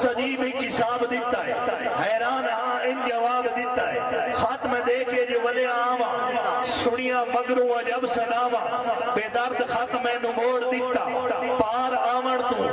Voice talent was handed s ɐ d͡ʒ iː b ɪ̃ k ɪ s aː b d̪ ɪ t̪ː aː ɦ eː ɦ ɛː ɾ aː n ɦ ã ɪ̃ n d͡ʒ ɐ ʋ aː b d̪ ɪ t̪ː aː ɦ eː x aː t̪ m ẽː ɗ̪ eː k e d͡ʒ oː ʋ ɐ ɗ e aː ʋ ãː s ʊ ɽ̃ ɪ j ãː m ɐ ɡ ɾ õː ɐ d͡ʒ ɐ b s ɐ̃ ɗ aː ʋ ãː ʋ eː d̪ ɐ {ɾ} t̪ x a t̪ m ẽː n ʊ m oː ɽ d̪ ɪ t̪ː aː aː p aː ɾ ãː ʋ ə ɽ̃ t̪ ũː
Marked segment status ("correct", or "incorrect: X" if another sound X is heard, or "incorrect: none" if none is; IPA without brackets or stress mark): correct